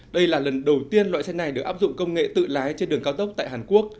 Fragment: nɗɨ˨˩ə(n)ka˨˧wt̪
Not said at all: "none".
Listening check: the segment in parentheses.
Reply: ŋ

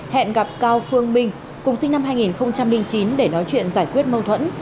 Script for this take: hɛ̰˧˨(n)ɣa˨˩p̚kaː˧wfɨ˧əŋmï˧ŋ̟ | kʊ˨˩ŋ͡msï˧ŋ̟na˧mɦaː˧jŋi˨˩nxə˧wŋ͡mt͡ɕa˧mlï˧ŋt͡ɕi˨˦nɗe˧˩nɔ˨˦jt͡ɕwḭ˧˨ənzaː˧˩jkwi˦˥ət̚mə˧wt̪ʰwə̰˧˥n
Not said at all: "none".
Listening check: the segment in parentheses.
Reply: n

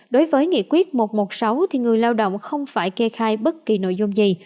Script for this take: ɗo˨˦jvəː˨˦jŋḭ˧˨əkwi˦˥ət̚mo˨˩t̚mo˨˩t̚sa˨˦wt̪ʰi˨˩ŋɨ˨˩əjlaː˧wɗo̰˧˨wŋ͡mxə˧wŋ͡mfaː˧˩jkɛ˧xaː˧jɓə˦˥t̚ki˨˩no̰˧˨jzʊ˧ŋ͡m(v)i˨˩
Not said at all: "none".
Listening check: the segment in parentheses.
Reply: z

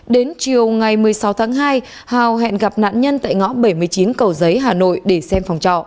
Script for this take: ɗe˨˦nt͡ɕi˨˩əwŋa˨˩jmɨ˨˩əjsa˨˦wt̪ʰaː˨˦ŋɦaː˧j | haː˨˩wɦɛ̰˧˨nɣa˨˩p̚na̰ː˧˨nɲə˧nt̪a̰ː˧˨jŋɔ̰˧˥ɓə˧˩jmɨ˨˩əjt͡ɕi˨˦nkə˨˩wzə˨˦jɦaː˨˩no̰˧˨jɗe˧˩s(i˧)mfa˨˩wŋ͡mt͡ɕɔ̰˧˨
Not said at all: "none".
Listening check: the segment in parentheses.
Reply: ɛ˧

